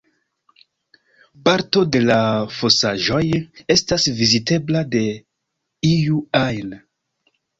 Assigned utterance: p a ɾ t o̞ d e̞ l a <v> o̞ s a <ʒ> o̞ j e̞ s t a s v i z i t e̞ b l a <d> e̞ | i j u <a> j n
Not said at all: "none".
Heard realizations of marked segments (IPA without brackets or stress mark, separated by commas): f, ʒ, d, a